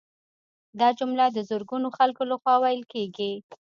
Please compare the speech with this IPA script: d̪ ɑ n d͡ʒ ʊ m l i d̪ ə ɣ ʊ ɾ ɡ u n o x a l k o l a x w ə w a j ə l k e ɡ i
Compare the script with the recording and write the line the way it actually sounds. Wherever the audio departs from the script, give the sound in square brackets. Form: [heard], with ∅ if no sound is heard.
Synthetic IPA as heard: d̪ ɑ [∅] d͡ʒ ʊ m l [a] d̪ ə [z] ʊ ɾ ɡ u n o x a l k o l a x w [ɑ] w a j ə l k e ɡ i

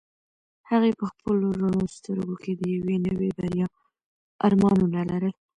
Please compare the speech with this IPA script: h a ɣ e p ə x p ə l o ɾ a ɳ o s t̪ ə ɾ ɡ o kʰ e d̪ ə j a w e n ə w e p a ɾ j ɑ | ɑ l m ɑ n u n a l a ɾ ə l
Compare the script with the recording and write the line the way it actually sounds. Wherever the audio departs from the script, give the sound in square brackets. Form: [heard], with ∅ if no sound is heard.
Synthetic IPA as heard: h a ɣ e p ə x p ə l o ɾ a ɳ o s t̪ ə ɾ ɡ o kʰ e d̪ ə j a w e n ə w e [b] a ɾ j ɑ | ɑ [ɾ] m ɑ n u n a l a ɾ ə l

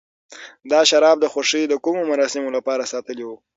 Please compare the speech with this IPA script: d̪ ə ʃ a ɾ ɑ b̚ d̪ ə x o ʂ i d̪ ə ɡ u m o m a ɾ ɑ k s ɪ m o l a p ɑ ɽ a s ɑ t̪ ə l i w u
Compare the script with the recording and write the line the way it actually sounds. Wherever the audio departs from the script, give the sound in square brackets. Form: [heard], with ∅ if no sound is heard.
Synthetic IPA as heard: d̪ [ɑ] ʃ a ɾ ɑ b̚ d̪ ə x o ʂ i d̪ ə [k] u m o m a ɾ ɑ [∅] s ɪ m o l a p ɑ [ɾ] a s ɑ t̪ ə l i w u

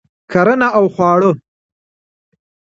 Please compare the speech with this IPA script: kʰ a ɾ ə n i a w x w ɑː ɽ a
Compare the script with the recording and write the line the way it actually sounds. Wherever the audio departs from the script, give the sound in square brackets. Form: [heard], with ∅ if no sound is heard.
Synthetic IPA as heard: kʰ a ɾ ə n [a] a w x w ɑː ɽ [ə]

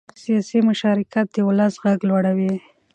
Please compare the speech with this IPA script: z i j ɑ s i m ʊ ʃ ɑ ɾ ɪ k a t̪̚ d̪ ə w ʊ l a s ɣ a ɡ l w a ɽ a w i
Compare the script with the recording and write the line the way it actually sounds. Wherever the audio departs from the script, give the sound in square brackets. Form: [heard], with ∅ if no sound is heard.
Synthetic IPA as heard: [s] i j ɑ s i m ʊ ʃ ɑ ɾ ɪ k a t̪̚ d̪ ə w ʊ l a s ɣ a ɡ l w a ɽ a w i

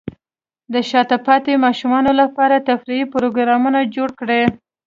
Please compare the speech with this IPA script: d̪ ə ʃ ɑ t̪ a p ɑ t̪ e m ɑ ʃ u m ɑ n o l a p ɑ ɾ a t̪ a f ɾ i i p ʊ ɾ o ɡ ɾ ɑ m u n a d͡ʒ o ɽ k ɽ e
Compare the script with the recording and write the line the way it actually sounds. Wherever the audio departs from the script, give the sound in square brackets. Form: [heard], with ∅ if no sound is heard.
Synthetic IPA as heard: d̪ ə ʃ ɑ t̪ a p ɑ t̪ e m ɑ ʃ u m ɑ n o l a p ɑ ɾ a t̪ a f ɾ i i p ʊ ɾ o ɡ ɾ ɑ m u n a d͡ʒ o ɽ k ɽ e

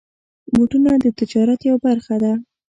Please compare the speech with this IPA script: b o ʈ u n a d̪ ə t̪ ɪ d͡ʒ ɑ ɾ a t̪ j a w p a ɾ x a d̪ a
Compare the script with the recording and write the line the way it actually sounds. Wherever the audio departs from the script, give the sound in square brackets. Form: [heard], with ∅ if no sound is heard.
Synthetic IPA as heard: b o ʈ u n a d̪ ə t̪ ɪ d͡ʒ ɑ ɾ a t̪ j a w [b] a ɾ x a d̪ a

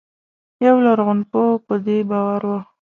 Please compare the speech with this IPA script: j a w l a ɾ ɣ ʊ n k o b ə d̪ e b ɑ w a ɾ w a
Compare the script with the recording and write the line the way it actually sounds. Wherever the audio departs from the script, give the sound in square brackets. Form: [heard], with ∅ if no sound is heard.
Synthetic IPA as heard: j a w l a ɾ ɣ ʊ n [p] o [p] ə d̪ e b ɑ w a ɾ w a

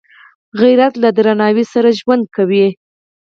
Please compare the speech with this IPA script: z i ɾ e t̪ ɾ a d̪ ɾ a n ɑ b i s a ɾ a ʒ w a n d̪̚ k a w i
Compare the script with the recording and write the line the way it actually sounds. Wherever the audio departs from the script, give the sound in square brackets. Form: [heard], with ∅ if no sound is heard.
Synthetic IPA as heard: [ɣ] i ɾ [a] t̪ [l] a d̪ ɾ a n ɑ [w] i s a ɾ a ʒ w a n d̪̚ k a w i

